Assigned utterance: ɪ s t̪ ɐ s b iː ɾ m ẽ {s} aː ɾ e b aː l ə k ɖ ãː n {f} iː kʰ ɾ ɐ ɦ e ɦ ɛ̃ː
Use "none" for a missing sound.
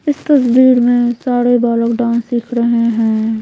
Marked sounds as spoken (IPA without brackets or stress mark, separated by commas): s, s